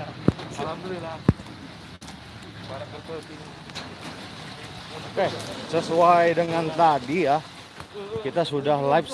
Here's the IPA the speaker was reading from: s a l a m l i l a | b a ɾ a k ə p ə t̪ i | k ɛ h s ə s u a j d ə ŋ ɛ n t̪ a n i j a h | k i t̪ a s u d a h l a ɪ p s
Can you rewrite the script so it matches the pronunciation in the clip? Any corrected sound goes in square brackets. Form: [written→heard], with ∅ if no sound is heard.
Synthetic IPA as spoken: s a l a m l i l a | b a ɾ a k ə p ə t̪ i | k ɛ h s ə s u a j d ə ŋ [ɛ→a] n t̪ a [n→d] i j a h | k i t̪ a s u d a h l a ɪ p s